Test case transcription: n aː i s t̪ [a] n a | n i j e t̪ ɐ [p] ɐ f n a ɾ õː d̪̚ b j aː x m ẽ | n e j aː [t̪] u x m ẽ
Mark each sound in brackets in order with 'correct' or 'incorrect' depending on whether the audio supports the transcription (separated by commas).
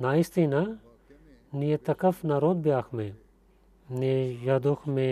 incorrect, incorrect, incorrect